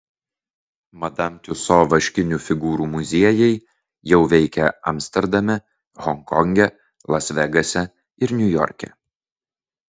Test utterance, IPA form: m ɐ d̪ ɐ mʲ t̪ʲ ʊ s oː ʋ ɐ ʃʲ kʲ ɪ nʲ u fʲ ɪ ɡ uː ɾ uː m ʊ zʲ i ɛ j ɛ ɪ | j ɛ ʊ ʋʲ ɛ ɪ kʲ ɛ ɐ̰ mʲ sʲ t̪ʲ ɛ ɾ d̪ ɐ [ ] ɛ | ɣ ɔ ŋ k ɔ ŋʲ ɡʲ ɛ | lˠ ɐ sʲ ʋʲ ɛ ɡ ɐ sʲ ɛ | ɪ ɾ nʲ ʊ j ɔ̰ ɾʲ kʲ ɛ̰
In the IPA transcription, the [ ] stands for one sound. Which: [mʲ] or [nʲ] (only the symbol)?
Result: mʲ